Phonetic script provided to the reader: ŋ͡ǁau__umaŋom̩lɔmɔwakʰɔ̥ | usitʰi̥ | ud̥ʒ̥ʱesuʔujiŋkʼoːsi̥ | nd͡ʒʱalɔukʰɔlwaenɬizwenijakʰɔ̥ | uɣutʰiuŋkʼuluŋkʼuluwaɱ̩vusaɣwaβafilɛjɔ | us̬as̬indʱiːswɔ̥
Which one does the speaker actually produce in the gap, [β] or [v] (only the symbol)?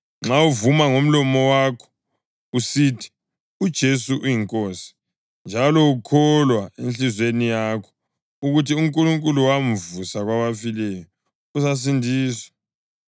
v